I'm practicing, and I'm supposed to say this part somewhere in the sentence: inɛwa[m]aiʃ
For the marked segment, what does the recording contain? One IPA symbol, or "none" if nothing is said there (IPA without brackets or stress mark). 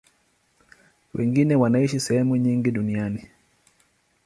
n